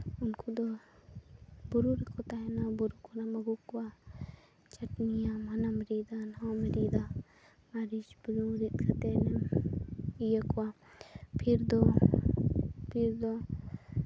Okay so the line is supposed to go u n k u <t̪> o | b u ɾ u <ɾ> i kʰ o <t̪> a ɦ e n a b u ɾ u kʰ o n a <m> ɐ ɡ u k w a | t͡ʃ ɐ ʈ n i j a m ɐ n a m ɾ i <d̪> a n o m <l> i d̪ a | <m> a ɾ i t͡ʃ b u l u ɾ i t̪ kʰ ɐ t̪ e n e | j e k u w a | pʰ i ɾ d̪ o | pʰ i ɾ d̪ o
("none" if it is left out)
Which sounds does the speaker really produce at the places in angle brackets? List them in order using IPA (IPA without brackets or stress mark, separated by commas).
d̪, ɾ, t̪, m, d̪, ɾ, m